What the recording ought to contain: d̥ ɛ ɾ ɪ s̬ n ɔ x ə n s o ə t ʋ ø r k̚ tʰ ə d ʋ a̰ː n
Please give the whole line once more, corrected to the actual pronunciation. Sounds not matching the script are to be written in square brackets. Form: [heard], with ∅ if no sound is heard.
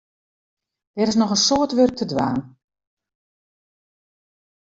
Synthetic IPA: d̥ ɛ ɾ ɪ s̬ n ɔ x ə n s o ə t ʋ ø r k̚ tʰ ə d ʋ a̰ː n